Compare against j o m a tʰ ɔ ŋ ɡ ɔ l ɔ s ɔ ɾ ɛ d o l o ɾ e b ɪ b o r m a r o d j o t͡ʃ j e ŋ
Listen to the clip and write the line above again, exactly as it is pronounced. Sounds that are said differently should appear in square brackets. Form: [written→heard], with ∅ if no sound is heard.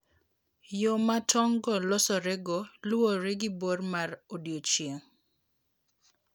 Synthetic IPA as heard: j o m a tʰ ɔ ŋ ɡ ɔ l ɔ s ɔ ɾ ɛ [d→ɡ] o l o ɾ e [b→ɡ] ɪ b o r m a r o d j o t͡ʃ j e ŋ